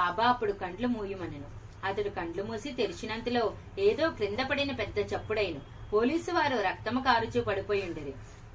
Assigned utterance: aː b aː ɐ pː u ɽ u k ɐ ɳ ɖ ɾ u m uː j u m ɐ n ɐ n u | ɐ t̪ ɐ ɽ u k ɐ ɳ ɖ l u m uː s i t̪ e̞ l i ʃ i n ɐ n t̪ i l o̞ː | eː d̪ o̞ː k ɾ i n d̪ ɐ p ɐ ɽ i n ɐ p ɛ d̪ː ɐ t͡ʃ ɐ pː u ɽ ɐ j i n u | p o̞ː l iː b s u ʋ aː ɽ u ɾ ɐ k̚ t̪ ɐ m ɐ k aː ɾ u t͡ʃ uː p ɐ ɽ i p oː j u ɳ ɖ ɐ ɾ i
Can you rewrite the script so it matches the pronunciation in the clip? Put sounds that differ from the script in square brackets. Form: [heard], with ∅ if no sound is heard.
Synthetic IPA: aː b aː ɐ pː u ɽ u k ɐ ɳ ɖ [l] u m uː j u m ɐ n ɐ n u | ɐ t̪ ɐ ɽ u k ɐ ɳ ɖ l u m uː s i t̪ e̞ l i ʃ i n ɐ n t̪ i l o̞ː | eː d̪ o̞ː k ɾ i n d̪ ɐ p ɐ ɽ i n ɐ p ɛ d̪ː ɐ t͡ʃ ɐ pː u ɽ ɐ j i n u | p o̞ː l iː [∅] s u ʋ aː [ɾ] u ɾ ɐ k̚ t̪ ɐ m ɐ k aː ɾ u t͡ʃ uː p ɐ ɽ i p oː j u ɳ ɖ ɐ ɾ i